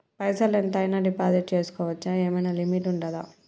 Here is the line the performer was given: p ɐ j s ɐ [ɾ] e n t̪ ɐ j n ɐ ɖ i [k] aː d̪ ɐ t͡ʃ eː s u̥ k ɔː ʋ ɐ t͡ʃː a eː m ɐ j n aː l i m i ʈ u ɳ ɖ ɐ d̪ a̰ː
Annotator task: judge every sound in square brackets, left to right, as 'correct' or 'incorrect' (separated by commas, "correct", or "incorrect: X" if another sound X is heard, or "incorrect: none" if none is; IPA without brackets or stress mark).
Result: incorrect: l, incorrect: p